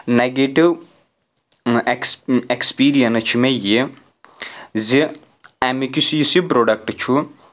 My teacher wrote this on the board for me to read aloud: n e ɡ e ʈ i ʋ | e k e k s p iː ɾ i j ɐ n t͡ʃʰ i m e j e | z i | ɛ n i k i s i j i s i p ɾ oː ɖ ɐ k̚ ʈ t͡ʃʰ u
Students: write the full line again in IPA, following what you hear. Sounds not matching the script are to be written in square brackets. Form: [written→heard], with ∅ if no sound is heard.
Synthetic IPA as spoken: n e ɡ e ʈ i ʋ | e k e k s p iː ɾ i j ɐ n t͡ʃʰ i m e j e | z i | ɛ [n→m] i k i s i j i s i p ɾ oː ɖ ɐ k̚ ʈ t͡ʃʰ u